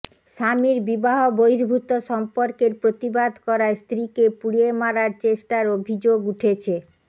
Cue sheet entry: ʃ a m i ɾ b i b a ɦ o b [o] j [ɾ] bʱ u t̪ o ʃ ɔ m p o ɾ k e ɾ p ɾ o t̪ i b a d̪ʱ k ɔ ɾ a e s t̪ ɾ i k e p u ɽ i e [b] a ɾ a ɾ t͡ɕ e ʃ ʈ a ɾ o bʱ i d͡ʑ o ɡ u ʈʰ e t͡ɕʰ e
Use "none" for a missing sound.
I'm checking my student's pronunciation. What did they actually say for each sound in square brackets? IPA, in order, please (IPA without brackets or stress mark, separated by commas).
o, ɾ, m